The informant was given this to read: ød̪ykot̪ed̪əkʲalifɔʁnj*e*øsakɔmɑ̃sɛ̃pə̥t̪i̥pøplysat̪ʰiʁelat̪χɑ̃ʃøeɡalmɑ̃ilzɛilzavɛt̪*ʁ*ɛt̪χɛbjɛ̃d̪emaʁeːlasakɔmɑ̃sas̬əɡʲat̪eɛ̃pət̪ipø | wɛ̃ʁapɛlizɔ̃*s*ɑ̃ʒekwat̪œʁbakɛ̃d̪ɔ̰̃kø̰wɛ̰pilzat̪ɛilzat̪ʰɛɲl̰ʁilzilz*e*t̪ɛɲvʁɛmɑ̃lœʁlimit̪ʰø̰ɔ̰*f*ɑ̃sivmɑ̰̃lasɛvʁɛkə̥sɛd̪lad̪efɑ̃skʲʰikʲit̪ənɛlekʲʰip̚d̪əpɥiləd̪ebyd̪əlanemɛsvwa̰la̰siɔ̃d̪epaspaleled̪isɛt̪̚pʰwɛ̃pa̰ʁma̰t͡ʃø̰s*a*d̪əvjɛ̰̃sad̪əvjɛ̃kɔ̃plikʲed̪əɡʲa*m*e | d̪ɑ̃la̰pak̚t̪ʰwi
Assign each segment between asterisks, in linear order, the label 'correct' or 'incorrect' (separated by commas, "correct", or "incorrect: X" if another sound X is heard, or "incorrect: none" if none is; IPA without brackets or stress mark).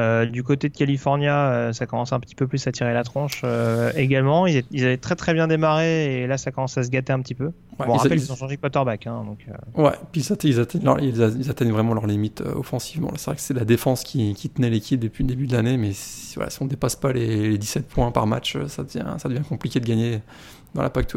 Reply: incorrect: a, incorrect: χ, incorrect: ʃ, incorrect: a, correct, correct, incorrect: ɲ